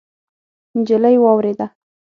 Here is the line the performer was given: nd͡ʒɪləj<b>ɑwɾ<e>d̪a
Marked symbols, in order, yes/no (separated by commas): no, yes